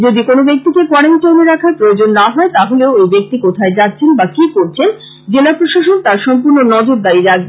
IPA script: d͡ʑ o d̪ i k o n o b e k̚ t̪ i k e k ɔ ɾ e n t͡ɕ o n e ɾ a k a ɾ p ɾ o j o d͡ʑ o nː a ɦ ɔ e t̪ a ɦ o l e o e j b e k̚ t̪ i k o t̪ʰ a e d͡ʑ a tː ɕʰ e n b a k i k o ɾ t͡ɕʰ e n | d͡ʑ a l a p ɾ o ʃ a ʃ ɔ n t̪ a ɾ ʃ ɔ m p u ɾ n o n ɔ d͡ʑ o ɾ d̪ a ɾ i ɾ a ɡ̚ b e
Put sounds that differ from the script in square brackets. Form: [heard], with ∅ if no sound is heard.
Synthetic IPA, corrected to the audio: d͡ʑ o d̪ i k o n o b e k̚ t̪ i k e k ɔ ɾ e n t͡ɕ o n e ɾ a [kʰ] a ɾ p ɾ o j o d͡ʑ o nː a ɦ ɔ e t̪ a ɦ o l e o e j b e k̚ t̪ i k o t̪ʰ a e d͡ʑ a tː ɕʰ e n b a k i k o ɾ t͡ɕʰ e n | d͡ʑ [e] l a p ɾ o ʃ a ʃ [o] n t̪ a ɾ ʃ ɔ m p u ɾ n o n ɔ d͡ʑ o ɾ d̪ a ɾ i ɾ a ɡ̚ b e